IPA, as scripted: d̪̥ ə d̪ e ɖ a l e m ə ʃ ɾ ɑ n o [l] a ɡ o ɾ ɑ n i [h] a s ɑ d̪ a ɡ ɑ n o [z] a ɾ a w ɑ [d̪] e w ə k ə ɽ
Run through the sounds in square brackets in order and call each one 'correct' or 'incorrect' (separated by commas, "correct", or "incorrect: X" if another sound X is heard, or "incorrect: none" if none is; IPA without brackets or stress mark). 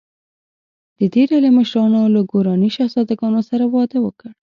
correct, incorrect: ʃ, incorrect: s, correct